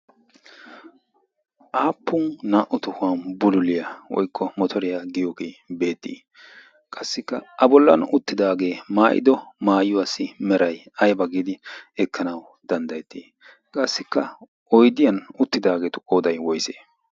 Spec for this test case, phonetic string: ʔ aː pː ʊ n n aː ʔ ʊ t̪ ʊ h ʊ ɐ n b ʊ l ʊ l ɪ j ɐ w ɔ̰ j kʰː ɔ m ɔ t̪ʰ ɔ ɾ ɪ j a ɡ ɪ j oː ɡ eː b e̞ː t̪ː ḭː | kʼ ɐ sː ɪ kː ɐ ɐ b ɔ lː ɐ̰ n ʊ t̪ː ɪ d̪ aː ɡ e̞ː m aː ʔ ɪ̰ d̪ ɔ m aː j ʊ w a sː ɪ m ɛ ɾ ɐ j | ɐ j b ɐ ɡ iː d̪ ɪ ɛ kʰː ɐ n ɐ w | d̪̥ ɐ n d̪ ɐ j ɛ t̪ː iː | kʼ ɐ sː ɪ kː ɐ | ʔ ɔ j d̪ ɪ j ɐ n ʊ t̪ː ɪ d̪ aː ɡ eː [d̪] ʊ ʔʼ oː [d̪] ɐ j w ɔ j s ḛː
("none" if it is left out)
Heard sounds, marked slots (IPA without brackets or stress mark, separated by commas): t̪, d̪